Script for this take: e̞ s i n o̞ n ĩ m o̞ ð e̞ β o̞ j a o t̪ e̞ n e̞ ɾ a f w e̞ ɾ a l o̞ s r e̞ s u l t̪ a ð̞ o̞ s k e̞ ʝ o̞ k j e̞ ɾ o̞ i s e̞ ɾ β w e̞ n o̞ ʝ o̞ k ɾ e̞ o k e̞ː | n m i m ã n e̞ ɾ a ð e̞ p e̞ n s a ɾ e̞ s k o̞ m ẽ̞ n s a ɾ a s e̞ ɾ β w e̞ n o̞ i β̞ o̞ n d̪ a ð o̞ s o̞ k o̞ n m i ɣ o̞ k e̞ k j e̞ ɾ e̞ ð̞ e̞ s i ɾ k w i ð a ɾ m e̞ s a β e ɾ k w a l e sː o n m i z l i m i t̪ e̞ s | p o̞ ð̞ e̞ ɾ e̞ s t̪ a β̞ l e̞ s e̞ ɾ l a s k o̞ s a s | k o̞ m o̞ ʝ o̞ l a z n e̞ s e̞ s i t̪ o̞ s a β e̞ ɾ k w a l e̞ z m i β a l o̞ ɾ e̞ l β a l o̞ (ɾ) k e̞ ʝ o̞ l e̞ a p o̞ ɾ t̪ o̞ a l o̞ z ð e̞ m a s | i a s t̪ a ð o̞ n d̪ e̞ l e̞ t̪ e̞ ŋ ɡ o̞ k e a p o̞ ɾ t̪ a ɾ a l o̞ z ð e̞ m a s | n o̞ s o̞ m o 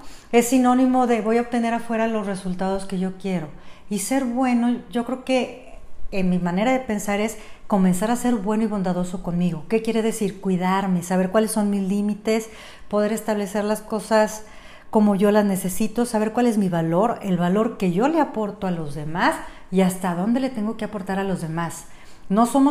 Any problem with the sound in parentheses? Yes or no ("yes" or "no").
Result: no